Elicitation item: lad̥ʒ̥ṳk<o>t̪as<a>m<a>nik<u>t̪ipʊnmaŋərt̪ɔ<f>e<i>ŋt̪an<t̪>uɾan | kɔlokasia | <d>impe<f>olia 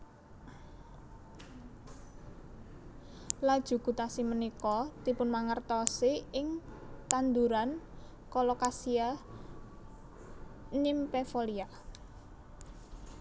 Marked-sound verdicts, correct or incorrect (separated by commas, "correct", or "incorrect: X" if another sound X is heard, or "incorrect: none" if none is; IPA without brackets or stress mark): incorrect: u, incorrect: i, incorrect: ə, incorrect: ɔ, incorrect: s, incorrect: ɪ, incorrect: d̪, incorrect: n, correct